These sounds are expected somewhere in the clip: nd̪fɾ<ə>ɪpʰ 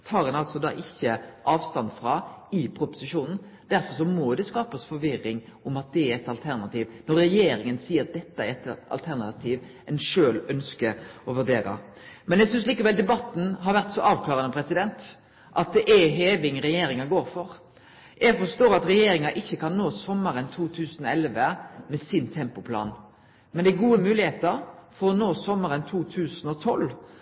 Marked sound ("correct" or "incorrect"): incorrect